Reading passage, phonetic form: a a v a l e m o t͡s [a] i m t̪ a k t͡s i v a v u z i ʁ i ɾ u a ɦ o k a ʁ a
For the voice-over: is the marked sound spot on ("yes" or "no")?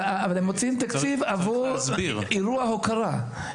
no